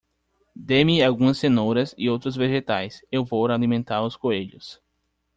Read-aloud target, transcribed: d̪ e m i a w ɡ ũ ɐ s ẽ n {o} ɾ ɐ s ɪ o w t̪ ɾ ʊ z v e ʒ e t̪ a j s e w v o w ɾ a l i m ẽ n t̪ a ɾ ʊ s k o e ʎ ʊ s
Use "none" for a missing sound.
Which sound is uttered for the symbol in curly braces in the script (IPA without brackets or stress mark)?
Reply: o